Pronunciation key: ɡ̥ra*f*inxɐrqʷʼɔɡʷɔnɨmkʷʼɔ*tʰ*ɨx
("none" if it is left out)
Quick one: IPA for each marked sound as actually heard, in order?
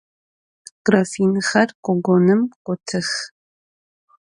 f, tʰ

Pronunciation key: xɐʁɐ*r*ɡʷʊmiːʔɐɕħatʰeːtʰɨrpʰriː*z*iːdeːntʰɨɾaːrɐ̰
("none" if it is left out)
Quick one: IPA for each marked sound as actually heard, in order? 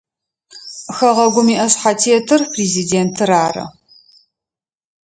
none, z

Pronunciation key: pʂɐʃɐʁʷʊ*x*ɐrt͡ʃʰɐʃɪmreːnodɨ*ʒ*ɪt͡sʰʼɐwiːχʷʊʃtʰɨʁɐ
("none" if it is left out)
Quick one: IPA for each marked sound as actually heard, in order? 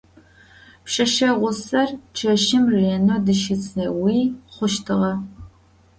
s, ʃ

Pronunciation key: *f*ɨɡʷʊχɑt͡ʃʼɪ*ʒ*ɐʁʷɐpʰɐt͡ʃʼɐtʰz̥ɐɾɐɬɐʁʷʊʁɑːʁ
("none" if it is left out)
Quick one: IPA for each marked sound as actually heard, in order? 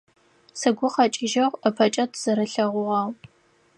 s, ʒ

